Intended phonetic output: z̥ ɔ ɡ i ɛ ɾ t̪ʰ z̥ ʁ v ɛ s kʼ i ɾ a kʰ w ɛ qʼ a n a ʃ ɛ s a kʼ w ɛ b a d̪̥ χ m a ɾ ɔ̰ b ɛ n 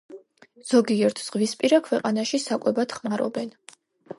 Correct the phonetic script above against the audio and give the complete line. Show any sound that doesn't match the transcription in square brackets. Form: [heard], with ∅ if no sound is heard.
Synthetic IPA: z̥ ɔ ɡ i ɛ ɾ t̪ʰ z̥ ʁ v [i] s [pʼ] i ɾ a kʰ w ɛ qʼ a n a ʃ [i] s a kʼ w ɛ b a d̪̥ χ m a ɾ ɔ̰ b ɛ n